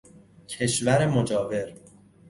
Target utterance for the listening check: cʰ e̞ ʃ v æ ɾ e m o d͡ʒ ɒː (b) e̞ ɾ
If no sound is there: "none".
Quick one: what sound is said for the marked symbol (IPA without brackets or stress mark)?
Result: v